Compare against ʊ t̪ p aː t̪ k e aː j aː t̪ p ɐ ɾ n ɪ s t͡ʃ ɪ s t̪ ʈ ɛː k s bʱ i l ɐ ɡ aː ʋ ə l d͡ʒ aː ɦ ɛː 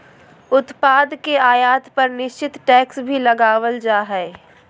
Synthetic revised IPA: ʊ t̪ p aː d̪ k e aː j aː t̪ p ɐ ɾ n ɪ ʃ t͡ʃ ɪ t̪ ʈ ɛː k s bʱ i l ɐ ɡ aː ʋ ə l d͡ʒ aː ɦ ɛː